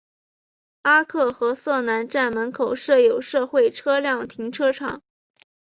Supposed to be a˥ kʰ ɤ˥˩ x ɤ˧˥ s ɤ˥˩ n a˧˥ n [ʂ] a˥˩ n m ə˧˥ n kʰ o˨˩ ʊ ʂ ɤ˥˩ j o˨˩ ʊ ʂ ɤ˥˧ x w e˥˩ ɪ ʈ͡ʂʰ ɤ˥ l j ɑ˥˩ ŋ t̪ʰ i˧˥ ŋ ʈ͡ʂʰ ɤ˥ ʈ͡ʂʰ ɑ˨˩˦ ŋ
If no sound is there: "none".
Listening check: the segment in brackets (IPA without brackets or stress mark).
ʈ͡ʂ